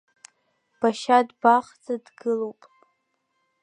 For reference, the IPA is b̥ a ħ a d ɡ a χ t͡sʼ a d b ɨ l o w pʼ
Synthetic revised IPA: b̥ a ʃ a d b a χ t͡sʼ a d ɡ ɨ l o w pʼ

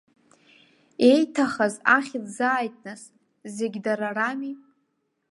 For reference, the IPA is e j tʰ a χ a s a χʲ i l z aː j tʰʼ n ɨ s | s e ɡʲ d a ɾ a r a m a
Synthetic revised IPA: e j tʰ a χ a z a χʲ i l z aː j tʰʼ n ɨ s | z e ɡʲ d a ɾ a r a m i

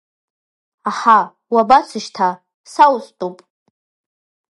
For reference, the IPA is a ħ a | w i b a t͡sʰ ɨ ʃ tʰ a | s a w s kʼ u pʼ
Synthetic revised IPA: a ħ a | w a b a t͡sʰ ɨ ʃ tʰ a | s a w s tʼ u pʼ

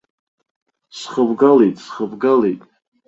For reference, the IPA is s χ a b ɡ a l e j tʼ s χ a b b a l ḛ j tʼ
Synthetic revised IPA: s χ ə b ɡ a l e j tʼ s χ ə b ɡ a l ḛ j tʼ

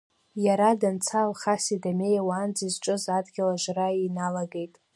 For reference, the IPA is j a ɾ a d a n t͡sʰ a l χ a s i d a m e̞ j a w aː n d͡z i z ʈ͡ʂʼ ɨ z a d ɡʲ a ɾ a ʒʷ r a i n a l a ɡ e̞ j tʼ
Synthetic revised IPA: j a ɾ a d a n t͡sʰ a l χ a s i d a m e̞ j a w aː n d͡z i z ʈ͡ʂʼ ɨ z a d ɡʲ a l a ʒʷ r a i n a l a ɡ e̞ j tʼ

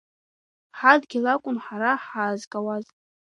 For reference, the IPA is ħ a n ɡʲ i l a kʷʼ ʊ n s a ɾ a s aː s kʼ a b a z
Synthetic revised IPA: ħ a d ɡʲ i l a kʷʼ ʊ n ħ a ɾ a ħ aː z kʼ a w a z

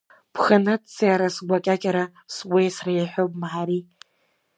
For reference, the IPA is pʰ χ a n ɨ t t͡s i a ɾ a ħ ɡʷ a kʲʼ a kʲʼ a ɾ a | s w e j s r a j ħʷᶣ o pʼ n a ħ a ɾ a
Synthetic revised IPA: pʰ χ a n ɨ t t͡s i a ɾ a s ɡʷ a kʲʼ a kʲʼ a ɾ a | s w e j s r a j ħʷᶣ o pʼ m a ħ a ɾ i

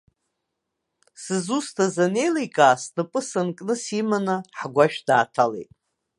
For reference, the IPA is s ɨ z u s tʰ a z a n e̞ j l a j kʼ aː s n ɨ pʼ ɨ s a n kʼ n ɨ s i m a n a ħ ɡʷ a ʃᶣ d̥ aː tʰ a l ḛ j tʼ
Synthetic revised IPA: s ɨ z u s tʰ a z a n e̞ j l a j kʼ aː s n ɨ pʼ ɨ s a n kʼ n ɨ s i m a n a ħ ɡʷ a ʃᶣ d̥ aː tʰ a l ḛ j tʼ

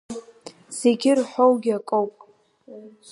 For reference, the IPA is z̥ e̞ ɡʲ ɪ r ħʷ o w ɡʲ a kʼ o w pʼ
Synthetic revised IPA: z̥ e̞ ɡʲ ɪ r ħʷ o w ɡʲ a kʼ o w pʼ

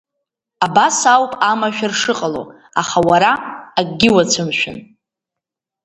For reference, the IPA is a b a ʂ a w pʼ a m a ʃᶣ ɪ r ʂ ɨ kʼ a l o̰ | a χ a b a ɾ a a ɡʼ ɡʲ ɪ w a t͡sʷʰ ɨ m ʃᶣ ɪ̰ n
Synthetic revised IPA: a b a s a w pʼ a m a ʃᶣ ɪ r ʂ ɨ qʼ a l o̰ | a χ a w a ɾ a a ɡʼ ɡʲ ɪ w a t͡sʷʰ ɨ m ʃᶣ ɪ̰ n

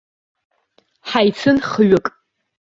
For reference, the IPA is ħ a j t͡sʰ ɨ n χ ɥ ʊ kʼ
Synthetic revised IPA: ħ a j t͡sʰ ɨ n χ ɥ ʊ kʼ

